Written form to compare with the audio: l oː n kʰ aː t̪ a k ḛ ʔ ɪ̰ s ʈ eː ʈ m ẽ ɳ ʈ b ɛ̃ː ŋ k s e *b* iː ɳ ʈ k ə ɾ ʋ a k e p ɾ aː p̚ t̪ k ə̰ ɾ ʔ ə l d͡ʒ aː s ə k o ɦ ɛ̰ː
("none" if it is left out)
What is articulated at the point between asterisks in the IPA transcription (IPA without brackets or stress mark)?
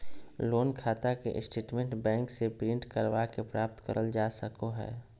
p